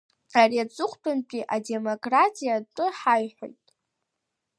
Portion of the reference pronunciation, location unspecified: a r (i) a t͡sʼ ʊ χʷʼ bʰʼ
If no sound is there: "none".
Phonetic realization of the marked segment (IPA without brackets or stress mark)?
i